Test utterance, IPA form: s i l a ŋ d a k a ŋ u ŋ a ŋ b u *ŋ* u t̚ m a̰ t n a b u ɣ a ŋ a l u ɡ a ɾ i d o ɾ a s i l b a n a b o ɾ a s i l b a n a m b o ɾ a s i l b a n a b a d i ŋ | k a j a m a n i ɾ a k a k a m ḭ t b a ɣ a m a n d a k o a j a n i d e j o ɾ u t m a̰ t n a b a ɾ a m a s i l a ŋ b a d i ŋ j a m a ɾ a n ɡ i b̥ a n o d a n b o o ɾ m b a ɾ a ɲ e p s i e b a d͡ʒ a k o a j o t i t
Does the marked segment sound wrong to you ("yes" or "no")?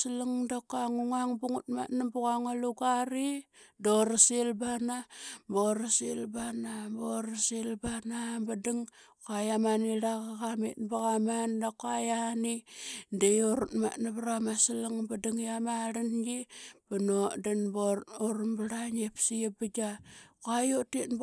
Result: no